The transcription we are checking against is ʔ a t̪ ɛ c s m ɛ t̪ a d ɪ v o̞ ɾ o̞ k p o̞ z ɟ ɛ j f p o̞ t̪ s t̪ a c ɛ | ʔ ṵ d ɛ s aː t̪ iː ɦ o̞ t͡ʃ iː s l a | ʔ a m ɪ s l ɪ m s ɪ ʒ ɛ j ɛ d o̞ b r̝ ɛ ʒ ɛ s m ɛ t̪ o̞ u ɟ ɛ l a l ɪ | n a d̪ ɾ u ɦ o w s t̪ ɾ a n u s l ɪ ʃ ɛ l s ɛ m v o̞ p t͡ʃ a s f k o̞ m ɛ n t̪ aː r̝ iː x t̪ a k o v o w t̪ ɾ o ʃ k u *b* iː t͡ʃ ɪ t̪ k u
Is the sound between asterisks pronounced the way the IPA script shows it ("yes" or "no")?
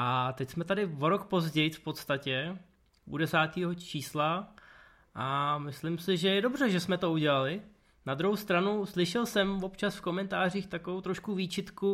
no